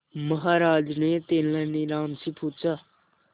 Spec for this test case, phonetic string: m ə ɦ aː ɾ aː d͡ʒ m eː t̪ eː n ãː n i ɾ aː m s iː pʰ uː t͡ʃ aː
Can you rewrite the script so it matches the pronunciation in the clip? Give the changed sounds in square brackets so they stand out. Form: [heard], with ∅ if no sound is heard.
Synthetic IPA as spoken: m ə ɦ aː ɾ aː d͡ʒ [n] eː t̪ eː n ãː n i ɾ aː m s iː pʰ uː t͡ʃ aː